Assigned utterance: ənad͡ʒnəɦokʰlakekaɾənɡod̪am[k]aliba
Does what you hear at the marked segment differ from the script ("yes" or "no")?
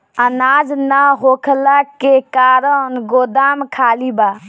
yes